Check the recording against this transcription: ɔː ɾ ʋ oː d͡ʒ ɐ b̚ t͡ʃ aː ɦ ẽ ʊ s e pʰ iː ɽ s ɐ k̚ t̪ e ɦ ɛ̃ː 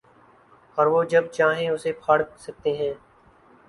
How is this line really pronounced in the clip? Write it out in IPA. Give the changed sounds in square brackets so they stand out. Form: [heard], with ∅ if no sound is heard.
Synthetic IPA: ɔː ɾ ʋ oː d͡ʒ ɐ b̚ t͡ʃ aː ɦ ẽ ʊ s e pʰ [aː] ɽ s ɐ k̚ t̪ e ɦ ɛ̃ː